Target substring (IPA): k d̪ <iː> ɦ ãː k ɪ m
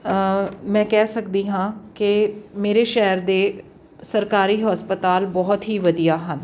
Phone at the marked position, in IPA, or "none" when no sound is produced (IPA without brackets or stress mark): iː